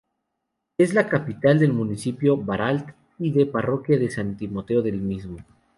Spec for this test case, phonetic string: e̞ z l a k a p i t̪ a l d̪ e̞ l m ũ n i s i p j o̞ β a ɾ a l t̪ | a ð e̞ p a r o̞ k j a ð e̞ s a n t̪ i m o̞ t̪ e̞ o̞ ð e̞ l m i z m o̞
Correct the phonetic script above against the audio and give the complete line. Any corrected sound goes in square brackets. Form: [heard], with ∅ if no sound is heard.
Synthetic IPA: e̞ z l a k a p i t̪ a l d̪ e̞ l m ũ n i s i p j o̞ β a ɾ a l t̪ | [i] ð e̞ p a r o̞ k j a ð e̞ s a n t̪ i m o̞ t̪ e̞ o̞ ð e̞ l m i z m o̞